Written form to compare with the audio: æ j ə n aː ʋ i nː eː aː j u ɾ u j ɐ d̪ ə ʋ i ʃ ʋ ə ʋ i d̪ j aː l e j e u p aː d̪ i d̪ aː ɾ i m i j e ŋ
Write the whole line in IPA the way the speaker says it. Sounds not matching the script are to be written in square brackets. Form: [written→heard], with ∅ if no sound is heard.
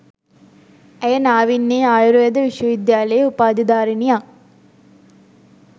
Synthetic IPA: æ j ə n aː ʋ i nː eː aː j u ɾ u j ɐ d̪ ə ʋ i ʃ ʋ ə ʋ i d̪ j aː l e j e u p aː d̪ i d̪ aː ɾ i [m→n] i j [e→a] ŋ